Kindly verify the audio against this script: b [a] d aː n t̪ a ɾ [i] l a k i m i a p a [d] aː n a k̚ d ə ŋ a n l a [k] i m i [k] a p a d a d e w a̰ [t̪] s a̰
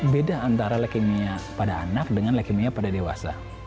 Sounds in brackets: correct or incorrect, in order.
incorrect: e, incorrect: a, correct, correct, incorrect: none, incorrect: none

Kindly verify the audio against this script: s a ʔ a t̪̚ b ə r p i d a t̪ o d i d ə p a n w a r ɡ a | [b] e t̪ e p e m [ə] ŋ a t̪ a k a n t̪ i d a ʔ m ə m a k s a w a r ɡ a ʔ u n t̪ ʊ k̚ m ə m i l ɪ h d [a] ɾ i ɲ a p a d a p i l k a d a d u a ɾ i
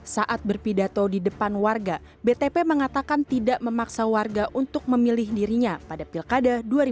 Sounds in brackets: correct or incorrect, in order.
correct, correct, incorrect: i

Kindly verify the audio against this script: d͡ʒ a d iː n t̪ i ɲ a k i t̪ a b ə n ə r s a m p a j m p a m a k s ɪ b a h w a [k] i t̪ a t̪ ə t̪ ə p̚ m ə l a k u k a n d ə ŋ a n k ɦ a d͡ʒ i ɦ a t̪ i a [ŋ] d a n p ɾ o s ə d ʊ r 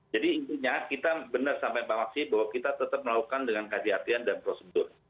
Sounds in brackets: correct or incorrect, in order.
correct, incorrect: n

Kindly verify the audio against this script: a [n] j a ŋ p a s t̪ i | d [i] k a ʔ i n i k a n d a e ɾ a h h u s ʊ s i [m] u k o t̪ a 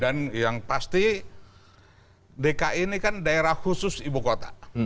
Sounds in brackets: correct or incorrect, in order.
correct, incorrect: e, incorrect: b

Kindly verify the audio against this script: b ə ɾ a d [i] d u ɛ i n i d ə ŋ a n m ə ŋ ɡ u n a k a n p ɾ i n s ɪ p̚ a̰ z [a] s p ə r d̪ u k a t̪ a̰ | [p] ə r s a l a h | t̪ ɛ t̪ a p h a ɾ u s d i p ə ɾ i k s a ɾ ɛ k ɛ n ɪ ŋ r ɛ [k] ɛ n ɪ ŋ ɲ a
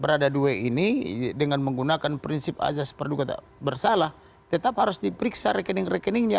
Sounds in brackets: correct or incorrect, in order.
incorrect: a, correct, incorrect: b, correct

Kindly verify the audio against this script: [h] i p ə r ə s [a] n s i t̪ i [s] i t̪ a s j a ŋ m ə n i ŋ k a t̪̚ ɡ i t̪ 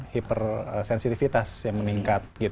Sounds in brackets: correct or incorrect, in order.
correct, incorrect: ɛ, incorrect: f

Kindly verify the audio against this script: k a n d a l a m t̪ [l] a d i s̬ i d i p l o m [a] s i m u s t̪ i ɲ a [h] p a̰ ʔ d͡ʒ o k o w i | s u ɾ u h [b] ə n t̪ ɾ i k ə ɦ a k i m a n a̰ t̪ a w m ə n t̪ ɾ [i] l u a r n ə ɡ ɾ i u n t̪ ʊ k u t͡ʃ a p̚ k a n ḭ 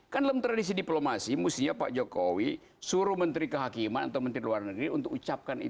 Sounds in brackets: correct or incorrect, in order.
incorrect: ɾ, correct, incorrect: none, incorrect: m, correct

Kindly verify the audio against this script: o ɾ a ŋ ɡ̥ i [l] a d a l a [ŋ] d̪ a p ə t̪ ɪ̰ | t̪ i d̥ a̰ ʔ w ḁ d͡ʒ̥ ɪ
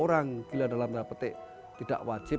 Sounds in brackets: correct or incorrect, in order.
correct, incorrect: m

